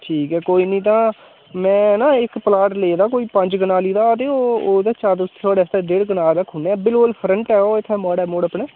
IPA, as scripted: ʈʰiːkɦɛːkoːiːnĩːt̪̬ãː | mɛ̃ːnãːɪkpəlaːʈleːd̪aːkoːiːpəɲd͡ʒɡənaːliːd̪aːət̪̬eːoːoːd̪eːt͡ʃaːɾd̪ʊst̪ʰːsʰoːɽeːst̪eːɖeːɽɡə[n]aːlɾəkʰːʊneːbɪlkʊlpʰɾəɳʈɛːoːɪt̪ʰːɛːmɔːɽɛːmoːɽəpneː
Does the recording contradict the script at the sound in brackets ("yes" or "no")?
no